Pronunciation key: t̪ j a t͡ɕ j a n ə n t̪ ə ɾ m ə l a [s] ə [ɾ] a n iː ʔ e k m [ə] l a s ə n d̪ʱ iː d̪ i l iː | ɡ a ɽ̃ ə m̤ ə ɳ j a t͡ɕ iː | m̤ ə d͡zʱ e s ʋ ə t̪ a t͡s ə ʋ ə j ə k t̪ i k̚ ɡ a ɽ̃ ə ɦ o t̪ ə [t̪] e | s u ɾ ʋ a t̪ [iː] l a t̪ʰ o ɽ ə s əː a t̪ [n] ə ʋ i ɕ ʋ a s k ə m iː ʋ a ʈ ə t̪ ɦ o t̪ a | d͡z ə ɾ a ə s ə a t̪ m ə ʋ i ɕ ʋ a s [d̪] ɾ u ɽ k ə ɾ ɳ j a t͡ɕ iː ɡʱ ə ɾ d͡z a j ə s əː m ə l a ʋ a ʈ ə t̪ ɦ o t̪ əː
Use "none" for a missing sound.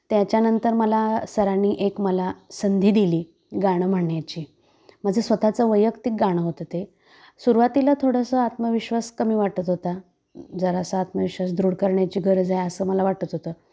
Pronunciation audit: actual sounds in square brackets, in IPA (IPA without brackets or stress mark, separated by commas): s, ɾ, ə, t̪, i, m, d̪